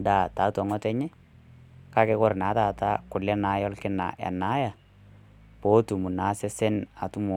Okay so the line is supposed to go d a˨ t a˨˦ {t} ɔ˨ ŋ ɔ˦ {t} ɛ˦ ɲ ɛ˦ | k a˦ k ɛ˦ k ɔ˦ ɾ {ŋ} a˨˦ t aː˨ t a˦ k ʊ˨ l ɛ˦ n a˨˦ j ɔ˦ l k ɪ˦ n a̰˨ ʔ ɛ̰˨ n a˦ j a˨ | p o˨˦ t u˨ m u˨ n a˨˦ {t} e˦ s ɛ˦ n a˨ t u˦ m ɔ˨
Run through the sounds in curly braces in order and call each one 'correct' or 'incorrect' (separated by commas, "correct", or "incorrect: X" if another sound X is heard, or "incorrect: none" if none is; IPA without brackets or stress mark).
correct, correct, incorrect: n, incorrect: s